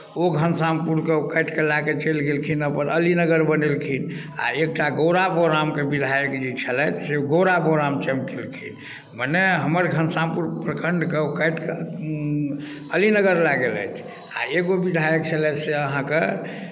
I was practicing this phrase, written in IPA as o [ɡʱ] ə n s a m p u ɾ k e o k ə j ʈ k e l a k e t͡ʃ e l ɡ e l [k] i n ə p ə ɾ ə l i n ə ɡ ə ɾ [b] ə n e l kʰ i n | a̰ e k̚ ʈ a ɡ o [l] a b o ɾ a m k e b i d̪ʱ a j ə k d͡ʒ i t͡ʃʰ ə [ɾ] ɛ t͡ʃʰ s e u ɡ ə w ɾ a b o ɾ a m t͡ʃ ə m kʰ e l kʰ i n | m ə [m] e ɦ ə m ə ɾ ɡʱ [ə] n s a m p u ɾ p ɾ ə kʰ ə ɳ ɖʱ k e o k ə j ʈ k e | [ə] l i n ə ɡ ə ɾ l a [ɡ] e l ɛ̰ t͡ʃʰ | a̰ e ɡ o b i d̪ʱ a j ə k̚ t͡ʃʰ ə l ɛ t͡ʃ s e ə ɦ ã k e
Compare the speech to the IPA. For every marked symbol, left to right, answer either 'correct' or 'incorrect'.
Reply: correct, incorrect, correct, incorrect, incorrect, incorrect, correct, correct, correct

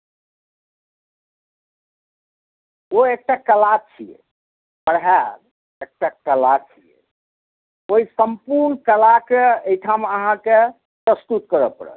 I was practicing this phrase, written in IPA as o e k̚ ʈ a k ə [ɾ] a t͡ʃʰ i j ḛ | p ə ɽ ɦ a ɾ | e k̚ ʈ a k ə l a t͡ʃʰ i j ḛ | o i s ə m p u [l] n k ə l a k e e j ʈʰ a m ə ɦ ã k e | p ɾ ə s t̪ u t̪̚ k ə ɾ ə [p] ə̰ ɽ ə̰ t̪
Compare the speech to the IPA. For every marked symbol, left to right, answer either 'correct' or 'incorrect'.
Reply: incorrect, incorrect, correct

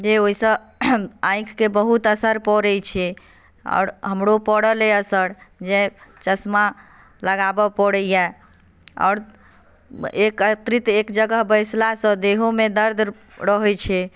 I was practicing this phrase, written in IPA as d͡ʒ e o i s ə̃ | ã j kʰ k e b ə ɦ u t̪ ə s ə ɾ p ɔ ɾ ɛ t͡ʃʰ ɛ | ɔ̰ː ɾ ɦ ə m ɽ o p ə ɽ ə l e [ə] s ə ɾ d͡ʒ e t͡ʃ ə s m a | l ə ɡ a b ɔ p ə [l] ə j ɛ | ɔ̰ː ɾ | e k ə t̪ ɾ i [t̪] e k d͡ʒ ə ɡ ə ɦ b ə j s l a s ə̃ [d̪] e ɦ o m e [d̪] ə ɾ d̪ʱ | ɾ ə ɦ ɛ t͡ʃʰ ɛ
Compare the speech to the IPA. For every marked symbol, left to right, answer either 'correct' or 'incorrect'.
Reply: correct, incorrect, correct, correct, correct

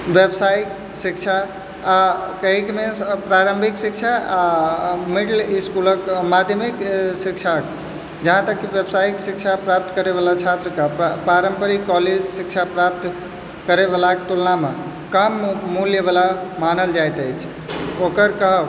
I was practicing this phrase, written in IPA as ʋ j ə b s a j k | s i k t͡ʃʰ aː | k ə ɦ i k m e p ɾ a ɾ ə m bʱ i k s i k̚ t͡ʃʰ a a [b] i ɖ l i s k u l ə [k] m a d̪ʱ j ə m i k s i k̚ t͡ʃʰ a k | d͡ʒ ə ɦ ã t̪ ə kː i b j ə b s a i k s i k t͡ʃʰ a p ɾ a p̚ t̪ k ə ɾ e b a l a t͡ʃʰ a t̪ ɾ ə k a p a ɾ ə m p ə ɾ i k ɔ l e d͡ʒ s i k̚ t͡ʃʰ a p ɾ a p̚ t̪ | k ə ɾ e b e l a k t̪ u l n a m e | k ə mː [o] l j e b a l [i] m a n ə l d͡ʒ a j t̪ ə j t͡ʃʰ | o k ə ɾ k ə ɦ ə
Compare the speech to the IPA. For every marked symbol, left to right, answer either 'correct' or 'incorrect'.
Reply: incorrect, correct, incorrect, incorrect

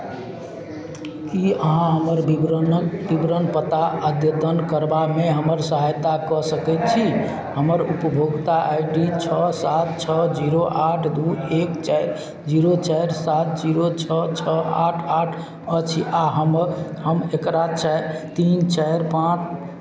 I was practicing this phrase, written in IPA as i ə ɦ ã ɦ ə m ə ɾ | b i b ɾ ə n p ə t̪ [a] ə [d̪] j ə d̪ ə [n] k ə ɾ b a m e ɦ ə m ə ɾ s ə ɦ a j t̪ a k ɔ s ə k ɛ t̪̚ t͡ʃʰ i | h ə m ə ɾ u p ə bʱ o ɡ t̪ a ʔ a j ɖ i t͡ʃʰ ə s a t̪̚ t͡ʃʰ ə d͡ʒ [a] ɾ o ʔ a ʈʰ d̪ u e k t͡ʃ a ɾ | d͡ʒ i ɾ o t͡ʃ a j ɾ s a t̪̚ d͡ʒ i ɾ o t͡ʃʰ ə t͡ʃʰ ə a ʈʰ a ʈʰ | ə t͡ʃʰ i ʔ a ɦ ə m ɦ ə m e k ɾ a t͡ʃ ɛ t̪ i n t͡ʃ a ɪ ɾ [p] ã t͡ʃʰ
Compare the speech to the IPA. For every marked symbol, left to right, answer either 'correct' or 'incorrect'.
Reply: correct, correct, correct, incorrect, correct

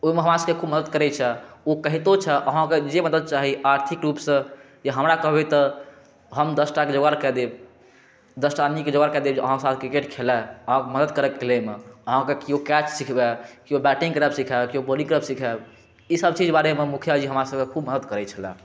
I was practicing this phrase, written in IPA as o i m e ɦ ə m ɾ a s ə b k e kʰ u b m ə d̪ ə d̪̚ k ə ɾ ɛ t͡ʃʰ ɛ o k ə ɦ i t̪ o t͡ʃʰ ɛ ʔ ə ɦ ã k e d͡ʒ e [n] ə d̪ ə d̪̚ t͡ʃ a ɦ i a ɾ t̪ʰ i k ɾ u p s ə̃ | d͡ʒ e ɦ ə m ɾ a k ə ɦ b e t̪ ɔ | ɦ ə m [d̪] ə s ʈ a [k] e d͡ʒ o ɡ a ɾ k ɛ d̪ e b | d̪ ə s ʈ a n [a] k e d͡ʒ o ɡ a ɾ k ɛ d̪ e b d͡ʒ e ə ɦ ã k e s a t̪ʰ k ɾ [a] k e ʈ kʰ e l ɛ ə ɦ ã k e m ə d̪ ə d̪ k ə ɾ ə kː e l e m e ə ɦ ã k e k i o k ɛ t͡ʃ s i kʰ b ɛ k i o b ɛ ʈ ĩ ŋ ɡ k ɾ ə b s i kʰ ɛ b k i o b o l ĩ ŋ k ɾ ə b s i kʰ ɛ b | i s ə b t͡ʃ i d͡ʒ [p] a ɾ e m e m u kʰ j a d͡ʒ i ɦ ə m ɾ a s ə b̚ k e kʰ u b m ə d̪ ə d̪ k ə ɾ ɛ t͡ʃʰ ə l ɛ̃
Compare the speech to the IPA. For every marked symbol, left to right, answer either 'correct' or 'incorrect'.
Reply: incorrect, correct, correct, incorrect, incorrect, incorrect

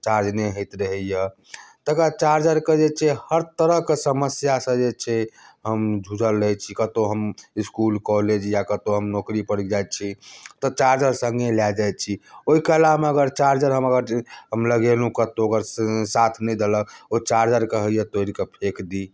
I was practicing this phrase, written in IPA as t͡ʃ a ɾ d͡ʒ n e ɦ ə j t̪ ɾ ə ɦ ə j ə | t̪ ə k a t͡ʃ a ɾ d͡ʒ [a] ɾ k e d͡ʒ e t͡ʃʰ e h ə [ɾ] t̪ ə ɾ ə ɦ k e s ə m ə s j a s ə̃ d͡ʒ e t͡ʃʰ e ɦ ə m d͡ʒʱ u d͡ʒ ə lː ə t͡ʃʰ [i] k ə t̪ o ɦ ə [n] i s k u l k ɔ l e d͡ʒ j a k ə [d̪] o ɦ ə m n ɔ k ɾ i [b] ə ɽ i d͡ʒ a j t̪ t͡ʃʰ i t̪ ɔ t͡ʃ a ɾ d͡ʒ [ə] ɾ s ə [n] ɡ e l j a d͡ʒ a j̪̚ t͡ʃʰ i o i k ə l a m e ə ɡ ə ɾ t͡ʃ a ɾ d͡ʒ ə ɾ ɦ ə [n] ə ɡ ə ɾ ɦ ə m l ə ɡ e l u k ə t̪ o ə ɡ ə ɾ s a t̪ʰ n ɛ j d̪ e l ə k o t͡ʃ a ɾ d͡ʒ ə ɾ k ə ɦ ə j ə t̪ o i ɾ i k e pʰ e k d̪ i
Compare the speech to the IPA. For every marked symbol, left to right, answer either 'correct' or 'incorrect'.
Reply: incorrect, correct, correct, incorrect, incorrect, incorrect, correct, incorrect, incorrect

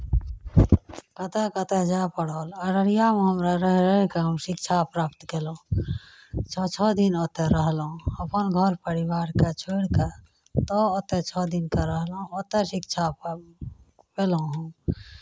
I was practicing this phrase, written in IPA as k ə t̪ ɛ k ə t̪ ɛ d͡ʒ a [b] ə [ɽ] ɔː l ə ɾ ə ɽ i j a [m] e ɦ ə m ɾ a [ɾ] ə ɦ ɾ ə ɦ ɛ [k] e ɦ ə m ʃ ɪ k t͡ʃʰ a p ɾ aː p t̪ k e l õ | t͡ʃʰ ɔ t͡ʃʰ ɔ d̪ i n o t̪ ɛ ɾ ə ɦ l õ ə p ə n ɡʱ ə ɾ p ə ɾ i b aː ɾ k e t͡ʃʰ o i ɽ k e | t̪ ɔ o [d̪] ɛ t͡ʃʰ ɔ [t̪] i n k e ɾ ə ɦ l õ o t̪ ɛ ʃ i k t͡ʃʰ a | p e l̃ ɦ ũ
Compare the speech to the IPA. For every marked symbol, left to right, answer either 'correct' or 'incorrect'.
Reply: incorrect, correct, correct, correct, correct, incorrect, incorrect

